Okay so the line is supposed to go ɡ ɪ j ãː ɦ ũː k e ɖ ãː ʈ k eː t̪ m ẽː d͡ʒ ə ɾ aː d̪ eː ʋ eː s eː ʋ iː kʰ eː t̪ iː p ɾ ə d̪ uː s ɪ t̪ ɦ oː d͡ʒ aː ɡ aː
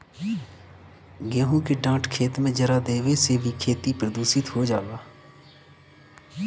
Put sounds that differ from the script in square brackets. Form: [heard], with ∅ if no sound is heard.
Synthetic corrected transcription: ɡ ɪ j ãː ɦ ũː k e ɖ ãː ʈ [kʰ] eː t̪ m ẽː d͡ʒ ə ɾ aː d̪ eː ʋ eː s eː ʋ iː kʰ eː t̪ iː p ɾ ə d̪ uː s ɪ t̪ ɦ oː d͡ʒ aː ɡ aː